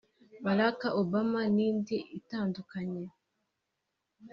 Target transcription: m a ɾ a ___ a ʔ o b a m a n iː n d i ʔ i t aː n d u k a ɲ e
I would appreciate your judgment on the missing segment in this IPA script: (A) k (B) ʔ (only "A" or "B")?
A